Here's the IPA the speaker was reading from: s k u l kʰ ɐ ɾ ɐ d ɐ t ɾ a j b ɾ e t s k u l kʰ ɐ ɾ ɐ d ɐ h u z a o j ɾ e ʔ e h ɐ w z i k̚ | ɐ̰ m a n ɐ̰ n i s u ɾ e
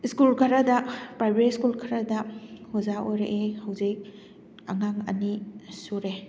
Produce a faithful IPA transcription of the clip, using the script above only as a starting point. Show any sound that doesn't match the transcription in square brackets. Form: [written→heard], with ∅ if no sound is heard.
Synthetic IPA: s k u l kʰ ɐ ɾ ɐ d ɐ [t→p] ɾ a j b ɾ e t s k u l kʰ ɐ ɾ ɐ d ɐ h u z a o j ɾ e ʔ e h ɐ w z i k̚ | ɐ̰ [m→ŋ] a [n→ŋ] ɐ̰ n i s u ɾ e